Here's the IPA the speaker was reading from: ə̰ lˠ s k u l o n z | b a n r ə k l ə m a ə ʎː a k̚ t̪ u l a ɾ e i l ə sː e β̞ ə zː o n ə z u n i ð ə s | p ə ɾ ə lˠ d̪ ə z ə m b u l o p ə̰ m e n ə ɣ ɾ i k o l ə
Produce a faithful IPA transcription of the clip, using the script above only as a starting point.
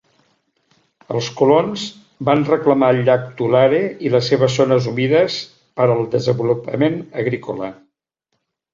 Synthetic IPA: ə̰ lˠ s k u l o n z | b a n r ə k l ə m a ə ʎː a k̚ t̪ u l a ɾ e i l ə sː e β̞ ə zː o n ə z u m i ð ə s | p ə ɾ ə lˠ d̪ ə z ə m b u l u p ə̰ m e n ə ɣ ɾ i k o l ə